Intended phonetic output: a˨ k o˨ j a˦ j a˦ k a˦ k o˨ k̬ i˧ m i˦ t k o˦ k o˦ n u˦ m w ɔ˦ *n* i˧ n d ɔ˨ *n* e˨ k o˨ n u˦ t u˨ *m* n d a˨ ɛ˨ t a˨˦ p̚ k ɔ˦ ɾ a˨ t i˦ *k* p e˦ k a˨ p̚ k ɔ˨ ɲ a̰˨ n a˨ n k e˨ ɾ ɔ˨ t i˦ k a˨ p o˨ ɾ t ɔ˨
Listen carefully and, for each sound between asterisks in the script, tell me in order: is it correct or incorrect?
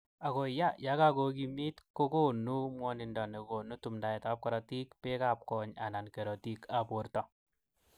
correct, correct, correct, correct

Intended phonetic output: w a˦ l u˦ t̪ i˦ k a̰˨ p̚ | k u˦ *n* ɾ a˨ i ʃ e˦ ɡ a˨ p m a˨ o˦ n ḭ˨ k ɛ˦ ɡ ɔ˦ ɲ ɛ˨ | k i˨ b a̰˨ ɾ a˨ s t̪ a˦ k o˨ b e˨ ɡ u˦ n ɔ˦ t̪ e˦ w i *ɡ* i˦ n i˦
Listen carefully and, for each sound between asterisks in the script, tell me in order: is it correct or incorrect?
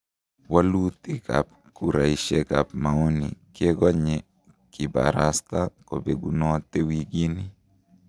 incorrect, correct

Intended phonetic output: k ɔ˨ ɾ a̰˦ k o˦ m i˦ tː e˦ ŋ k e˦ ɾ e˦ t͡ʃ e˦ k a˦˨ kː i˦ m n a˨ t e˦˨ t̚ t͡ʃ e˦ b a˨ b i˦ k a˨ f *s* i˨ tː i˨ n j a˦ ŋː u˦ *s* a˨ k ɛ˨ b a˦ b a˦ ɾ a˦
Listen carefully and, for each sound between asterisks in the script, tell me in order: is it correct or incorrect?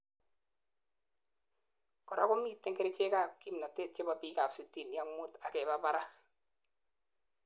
correct, incorrect

